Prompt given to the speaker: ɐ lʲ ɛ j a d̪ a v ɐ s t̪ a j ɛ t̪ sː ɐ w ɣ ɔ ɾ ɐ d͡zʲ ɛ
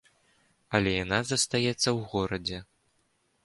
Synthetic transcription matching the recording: ɐ lʲ ɛ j a n̪ a z ɐ s t̪ a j ɛ t̪ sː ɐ w ɣ ɔ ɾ ɐ d͡zʲ ɛ